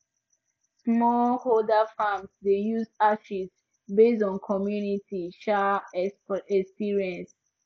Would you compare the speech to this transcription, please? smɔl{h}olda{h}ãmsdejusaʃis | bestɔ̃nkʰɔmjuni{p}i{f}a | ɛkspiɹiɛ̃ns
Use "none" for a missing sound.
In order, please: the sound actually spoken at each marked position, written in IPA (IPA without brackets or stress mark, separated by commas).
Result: h, f, t, ʃ